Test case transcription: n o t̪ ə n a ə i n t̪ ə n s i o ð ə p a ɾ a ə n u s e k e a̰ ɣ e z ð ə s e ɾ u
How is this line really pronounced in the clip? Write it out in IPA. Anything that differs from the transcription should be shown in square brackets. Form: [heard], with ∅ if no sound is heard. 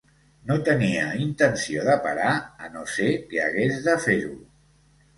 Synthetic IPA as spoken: n o t̪ ə n [i] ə i n t̪ ə n s i o ð ə p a ɾ a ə n [o] s e k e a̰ ɣ e z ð ə [f] e ɾ u